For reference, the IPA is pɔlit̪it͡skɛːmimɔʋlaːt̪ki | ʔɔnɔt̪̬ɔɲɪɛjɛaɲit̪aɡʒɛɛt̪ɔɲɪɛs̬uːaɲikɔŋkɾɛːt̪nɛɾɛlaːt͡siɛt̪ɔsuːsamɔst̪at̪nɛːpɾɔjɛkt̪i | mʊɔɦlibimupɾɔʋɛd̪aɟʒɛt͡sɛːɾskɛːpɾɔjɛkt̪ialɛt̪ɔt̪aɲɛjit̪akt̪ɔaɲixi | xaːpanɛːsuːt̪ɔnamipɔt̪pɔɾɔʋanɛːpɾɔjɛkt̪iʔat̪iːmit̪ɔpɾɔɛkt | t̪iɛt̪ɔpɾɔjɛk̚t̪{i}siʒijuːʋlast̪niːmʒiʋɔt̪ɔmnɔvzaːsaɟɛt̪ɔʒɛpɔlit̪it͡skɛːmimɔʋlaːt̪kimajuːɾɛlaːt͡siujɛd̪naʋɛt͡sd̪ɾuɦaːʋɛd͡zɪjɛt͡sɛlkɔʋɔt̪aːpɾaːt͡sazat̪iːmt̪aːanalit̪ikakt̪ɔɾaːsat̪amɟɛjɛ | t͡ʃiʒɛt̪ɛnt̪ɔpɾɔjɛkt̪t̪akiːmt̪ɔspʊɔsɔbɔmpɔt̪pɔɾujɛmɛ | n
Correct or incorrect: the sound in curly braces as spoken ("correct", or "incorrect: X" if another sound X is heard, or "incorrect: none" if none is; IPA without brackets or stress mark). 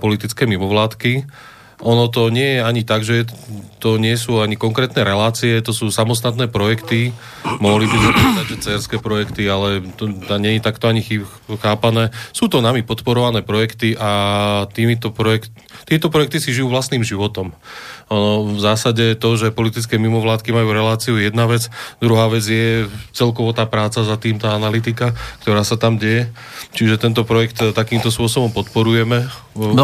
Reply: correct